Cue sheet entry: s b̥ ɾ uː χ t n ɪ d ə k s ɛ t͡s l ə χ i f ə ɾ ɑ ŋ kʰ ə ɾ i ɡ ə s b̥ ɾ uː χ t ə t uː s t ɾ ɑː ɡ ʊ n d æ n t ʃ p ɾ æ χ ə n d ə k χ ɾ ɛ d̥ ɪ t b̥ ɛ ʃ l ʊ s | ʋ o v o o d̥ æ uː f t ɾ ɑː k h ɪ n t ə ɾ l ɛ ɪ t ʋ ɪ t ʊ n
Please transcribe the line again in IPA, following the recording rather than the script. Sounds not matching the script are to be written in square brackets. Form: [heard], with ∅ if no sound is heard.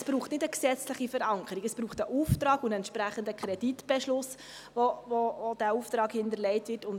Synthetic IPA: s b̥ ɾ uː χ t n ɪ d ə k s ɛ t͡s l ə χ i f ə ɾ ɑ ŋ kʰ ə ɾ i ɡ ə s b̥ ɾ uː χ t ə [ʔ] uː [f] t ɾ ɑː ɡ ʊ n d [ɛ] n t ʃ p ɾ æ χ ə n d ə k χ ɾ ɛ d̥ [i] t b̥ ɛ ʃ l ʊ s | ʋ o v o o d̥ æ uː f t ɾ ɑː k h ɪ n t ə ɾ l ɛ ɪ t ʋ ɪ t ʊ n